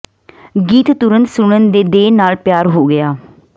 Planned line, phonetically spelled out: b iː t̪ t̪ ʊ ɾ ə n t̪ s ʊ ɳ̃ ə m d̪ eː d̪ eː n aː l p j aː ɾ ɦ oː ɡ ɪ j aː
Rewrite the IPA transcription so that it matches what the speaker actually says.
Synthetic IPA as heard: ɡ iː t̪ t̪ ʊ ɾ ə n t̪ s ʊ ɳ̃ ə n d̪ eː d̪ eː n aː l p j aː ɾ ɦ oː ɡ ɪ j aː

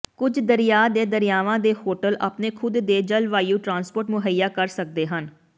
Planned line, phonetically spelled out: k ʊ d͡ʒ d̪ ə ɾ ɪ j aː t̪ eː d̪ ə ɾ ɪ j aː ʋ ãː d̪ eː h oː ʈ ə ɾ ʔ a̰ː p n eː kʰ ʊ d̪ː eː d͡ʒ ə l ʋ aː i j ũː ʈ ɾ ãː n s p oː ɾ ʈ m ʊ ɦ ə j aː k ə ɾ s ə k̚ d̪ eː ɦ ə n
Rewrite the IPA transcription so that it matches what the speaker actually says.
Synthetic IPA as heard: k ʊ d͡ʒ d̪ ə ɾ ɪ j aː d̪ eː d̪ ə ɾ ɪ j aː ʋ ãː d̪ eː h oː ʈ ə l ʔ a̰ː p n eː kʰ ʊ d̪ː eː d͡ʒ ə l ʋ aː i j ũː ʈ ɾ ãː n s p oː ɾ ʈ m ʊ ɦ ə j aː k ə ɾ s ə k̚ d̪ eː ɦ ə n

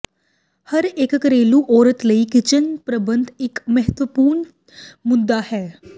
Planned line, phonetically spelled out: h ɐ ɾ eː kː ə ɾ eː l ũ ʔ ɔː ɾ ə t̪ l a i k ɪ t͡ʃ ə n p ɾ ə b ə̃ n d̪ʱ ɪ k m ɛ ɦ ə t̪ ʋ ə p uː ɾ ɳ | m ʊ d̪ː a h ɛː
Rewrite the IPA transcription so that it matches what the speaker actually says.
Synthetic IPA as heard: h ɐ ɾ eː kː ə ɾ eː l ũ ʔ ɔː ɾ ə t̪ l ə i k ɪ t͡ʃ ə n p ɾ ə b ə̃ n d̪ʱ ɪ k m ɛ ɦ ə t̪ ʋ ə p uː ɾ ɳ | m ʊ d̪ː a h ɛː

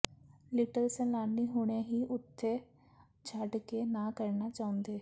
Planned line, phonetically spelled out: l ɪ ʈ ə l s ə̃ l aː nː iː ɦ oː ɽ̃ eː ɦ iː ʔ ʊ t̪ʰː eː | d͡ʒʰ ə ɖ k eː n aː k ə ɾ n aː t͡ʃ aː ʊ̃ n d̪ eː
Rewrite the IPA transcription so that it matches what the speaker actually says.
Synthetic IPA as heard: l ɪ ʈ ə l s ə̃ l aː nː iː ɦ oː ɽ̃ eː ɦ iː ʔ ʊ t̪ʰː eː | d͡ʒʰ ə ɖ k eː n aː k ə ɾ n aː t͡ʃ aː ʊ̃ n d̪ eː

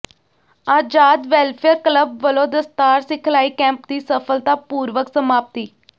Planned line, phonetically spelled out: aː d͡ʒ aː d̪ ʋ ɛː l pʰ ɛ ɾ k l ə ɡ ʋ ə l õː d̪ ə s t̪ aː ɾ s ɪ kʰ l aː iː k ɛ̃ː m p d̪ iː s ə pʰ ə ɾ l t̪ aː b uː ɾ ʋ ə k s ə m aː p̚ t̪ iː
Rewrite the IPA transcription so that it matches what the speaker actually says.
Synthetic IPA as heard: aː d͡ʒ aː d̪ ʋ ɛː l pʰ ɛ ɾ k l ə b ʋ ə l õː d̪ ə s t̪ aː ɾ s ɪ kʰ l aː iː k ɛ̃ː m p d̪ iː s ə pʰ ə l t̪ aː p uː ɾ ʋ ə k s ə m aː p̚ t̪ iː

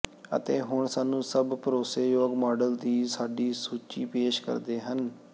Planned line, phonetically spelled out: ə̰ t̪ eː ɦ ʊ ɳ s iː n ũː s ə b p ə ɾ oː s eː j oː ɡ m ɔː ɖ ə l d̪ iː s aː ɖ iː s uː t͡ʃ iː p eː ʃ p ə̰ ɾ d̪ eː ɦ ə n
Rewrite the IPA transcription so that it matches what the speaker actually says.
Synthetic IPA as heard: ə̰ t̪ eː ɦ ʊ ɳ s aː n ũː s ə b p ə ɾ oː s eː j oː ɡ m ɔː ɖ ə l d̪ iː s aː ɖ iː s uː t͡ʃ iː p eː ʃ k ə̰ ɾ d̪ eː ɦ ə n

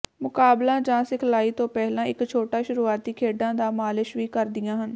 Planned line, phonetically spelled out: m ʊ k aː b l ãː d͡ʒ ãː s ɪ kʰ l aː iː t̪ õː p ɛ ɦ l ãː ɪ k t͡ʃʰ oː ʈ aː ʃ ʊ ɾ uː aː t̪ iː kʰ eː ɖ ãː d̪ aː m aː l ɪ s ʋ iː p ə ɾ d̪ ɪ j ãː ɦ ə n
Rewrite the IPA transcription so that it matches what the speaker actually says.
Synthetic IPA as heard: m ʊ k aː b l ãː d͡ʒ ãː s ɪ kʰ l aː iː t̪ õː p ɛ ɦ l ãː ɪ k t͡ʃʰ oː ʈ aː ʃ ʊ ɾ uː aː t̪ iː kʰ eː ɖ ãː d̪ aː m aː l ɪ ʃ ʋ iː k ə ɾ d̪ ɪ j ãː ɦ ə n

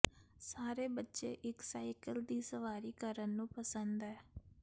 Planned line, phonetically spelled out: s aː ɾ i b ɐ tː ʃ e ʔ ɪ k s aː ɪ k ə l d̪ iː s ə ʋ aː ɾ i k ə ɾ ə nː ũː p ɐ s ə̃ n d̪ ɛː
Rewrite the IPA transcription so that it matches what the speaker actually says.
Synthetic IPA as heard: s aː ɾ e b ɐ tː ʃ e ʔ ɪ k s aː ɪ k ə l d̪ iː s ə ʋ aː ɾ i k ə ɾ ə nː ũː p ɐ s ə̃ n d̪ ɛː

